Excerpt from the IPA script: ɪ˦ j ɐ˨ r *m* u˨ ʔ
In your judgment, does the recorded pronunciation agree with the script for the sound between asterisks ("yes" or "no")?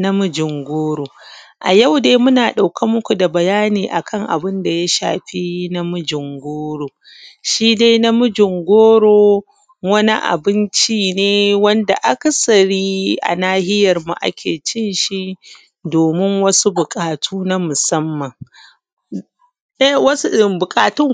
yes